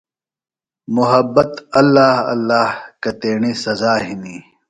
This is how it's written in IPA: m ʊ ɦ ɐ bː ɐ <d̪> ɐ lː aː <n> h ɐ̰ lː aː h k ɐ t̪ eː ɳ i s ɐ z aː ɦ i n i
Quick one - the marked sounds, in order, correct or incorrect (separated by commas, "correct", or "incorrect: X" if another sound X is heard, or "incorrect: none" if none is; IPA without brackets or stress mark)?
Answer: incorrect: t̪, incorrect: none